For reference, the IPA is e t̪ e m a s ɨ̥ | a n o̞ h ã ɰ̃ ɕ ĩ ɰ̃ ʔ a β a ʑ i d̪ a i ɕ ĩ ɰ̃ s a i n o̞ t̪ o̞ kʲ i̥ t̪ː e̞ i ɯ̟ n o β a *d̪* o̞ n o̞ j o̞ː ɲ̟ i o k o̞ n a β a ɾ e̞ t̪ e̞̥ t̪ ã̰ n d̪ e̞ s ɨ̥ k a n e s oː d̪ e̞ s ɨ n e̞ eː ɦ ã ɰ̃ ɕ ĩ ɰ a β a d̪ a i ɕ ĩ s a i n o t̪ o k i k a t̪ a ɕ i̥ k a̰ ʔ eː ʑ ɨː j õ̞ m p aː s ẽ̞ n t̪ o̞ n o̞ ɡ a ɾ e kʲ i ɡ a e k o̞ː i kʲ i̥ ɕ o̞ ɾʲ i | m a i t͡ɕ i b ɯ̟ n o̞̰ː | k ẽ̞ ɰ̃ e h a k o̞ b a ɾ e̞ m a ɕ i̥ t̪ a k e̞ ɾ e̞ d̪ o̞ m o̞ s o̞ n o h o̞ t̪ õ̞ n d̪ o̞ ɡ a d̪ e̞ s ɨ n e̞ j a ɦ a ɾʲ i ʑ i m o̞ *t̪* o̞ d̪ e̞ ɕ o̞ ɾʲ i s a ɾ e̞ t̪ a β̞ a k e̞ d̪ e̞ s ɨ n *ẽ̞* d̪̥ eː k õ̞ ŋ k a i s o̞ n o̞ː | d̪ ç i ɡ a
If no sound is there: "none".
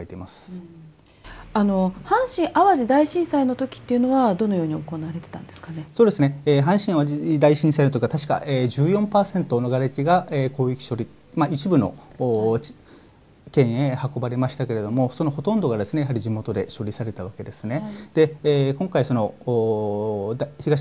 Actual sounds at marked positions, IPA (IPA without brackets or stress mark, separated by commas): d̪, t̪, e̞